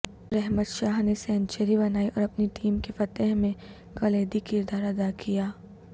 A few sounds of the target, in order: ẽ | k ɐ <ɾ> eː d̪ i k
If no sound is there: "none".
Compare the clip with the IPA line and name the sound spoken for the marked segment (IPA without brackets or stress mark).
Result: l